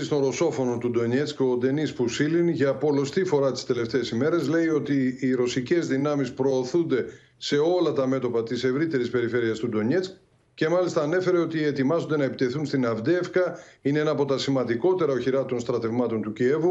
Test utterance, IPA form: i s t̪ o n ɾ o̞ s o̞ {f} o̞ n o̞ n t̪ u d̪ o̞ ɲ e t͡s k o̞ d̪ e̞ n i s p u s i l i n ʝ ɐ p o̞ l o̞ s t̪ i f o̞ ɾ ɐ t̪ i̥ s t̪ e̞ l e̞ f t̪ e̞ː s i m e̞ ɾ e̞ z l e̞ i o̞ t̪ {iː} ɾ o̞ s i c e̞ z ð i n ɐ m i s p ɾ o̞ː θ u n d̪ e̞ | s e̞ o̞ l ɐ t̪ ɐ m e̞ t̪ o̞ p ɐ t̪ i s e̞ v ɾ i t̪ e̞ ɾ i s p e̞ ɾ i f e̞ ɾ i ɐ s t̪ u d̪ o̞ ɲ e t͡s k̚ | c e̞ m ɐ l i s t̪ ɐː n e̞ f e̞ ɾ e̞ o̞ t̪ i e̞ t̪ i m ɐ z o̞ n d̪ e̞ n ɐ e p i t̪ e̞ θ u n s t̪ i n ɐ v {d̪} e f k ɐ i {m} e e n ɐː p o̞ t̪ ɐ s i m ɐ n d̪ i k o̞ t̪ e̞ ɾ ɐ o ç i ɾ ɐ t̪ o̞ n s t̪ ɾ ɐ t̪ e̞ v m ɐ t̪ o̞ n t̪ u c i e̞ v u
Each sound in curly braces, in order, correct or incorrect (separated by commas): correct, correct, correct, incorrect